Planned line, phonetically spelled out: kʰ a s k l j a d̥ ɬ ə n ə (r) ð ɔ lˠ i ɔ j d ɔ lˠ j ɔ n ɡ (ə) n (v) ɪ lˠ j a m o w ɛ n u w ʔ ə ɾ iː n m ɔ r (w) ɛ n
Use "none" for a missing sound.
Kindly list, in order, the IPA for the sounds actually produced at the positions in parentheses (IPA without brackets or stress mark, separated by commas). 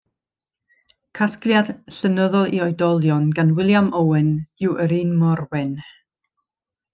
none, a, w, w